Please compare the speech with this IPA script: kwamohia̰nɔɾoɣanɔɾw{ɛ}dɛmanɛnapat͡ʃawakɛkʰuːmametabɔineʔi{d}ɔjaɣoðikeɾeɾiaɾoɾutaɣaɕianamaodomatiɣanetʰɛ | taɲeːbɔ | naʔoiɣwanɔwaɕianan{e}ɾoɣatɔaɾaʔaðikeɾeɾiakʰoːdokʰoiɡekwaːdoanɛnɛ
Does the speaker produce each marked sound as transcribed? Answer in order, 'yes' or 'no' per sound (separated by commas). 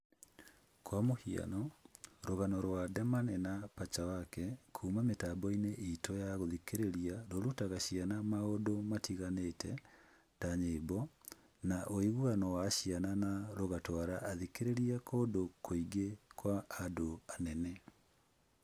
no, no, no